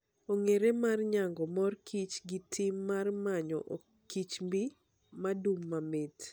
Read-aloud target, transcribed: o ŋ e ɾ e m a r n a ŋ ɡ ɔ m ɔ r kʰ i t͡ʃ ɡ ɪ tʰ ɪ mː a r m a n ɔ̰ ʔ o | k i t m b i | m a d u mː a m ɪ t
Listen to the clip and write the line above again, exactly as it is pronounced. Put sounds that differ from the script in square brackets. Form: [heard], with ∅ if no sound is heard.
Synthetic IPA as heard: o ŋ e ɾ e m a r [ɲ] a ŋ ɡ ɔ m ɔ r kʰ i t͡ʃ ɡ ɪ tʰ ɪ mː a r m a [ɲ] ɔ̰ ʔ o | k i [t͡ʃ] m b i | m a d u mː a m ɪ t